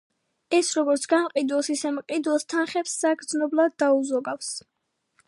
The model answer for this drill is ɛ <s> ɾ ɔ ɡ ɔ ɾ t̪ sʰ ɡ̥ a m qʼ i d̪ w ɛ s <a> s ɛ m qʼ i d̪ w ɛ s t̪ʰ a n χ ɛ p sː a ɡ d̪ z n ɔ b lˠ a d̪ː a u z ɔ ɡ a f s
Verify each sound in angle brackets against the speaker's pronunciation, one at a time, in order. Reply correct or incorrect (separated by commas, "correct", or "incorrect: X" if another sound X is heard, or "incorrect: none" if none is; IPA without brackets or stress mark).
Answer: correct, incorrect: i